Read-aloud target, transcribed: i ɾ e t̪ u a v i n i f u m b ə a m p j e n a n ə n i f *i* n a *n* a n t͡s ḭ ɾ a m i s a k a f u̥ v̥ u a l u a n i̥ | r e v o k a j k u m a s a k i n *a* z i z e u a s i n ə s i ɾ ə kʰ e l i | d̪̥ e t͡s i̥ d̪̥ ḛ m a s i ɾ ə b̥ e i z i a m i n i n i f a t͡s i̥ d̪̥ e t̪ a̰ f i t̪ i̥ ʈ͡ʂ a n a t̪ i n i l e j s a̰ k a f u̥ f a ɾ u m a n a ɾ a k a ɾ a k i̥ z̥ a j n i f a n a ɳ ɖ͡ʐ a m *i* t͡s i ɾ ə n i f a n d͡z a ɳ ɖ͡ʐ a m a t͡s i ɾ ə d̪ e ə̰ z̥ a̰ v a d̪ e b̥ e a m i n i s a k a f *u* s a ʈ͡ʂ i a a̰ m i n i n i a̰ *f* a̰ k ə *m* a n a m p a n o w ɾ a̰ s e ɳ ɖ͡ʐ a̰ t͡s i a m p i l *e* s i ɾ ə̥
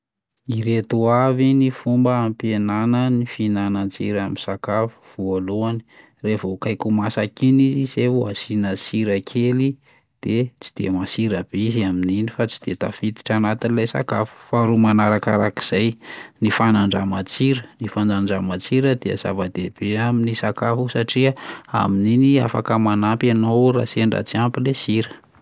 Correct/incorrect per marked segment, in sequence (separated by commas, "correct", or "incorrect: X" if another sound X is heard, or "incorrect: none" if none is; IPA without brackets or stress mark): correct, correct, incorrect: i, incorrect: a, correct, correct, correct, correct